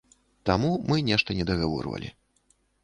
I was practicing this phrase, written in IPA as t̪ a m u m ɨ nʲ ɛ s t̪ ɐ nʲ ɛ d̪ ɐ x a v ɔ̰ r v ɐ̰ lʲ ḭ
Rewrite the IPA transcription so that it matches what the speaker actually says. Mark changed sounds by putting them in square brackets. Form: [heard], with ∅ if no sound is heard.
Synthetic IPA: t̪ a m u m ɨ nʲ ɛ [ʂ] t̪ ɐ nʲ ɛ d̪ ɐ [ɣ] a v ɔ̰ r v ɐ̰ lʲ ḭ